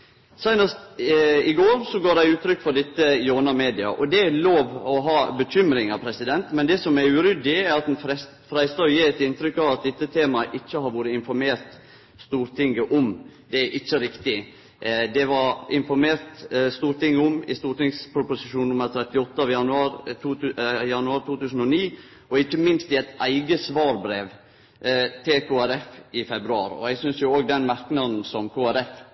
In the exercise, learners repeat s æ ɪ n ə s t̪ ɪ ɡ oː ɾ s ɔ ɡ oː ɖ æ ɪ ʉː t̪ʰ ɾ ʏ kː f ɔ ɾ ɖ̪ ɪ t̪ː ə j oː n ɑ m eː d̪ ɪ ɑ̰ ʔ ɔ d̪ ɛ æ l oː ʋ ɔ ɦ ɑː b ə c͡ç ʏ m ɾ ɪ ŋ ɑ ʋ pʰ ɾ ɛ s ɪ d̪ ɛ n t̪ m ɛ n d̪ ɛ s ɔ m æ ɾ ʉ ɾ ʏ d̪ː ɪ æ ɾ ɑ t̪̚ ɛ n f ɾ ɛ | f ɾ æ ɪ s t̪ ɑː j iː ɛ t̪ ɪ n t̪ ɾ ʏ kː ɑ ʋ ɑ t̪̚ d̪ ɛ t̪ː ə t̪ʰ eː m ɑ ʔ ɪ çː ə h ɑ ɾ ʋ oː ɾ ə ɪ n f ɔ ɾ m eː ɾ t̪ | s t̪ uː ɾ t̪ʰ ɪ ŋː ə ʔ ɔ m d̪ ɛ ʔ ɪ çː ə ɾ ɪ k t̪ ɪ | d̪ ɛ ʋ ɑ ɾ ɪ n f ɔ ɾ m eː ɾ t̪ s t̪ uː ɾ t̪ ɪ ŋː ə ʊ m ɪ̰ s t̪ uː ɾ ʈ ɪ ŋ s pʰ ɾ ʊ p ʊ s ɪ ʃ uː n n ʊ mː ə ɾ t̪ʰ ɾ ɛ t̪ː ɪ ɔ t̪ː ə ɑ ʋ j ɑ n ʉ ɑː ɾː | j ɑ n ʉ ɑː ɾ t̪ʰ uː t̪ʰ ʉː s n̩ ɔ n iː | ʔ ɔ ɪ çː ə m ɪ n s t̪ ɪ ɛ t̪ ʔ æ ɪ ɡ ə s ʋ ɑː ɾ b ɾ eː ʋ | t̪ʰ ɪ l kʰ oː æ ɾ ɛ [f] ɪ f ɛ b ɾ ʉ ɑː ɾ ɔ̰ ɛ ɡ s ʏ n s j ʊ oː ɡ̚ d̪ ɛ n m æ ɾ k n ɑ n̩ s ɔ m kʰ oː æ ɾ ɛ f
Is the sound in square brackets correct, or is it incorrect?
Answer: correct